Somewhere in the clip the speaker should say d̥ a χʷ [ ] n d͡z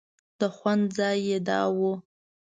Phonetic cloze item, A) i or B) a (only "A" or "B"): B